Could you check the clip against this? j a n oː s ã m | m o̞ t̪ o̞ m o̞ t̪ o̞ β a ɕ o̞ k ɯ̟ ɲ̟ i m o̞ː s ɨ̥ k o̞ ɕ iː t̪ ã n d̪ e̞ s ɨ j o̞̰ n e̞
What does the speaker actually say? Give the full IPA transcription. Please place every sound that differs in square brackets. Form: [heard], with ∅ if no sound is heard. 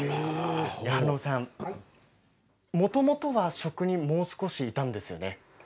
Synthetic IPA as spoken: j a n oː s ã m | m o̞ t̪ o̞ m o̞ t̪ o̞ β a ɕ o̞ k ɯ̟ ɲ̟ i m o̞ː s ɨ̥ k o̞ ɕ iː t̪ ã n d̪ e̞ s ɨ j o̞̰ n e̞